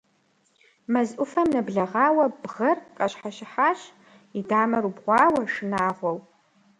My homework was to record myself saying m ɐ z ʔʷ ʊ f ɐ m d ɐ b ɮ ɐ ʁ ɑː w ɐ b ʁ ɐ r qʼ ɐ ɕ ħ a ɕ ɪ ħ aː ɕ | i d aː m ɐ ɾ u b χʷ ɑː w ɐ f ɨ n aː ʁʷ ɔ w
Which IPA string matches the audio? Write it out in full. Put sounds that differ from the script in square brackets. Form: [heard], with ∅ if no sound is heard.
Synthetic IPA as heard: m ɐ z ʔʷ ʊ f ɐ m [n] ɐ b ɮ ɐ ʁ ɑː w ɐ b ʁ ɐ r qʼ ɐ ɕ ħ a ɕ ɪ ħ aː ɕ | i d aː m ɐ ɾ u b [ʁʷ] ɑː w ɐ [ʂ] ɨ n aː ʁʷ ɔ w